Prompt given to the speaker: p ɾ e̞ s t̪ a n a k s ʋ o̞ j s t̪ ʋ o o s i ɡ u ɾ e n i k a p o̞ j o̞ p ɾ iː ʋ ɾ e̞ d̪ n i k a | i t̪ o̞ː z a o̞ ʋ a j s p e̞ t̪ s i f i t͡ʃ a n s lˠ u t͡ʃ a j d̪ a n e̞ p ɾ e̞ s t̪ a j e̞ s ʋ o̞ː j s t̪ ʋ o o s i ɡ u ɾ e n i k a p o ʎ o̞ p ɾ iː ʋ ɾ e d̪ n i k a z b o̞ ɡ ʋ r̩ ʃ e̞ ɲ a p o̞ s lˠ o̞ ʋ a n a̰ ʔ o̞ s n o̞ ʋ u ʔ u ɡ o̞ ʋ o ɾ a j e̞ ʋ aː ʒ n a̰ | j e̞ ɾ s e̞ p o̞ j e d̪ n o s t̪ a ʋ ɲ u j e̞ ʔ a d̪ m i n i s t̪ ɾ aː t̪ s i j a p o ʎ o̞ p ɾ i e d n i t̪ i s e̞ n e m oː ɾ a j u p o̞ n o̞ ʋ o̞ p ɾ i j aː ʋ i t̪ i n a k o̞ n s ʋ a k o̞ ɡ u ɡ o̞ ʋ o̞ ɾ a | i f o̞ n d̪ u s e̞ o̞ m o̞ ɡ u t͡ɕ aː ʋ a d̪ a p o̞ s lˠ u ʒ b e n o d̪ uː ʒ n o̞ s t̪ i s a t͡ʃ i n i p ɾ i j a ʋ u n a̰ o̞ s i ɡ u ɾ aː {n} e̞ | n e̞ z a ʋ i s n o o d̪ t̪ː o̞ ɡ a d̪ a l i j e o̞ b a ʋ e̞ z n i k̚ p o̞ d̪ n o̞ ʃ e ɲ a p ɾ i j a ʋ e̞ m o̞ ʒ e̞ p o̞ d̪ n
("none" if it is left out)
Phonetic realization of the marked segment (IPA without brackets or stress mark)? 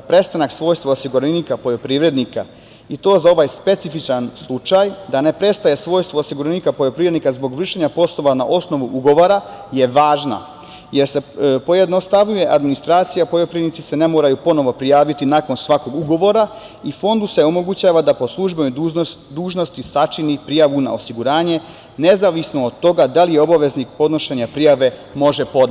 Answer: ɲ